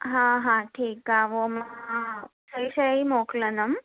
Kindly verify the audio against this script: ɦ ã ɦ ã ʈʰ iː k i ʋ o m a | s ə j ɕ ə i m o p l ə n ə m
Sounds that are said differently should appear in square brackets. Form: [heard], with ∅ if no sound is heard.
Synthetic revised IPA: ɦ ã ɦ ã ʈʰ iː k [a] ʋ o m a | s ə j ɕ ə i m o [k] l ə n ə m